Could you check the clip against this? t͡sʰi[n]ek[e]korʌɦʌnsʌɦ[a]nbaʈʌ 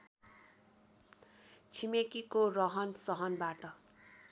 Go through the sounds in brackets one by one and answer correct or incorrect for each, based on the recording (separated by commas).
incorrect, incorrect, incorrect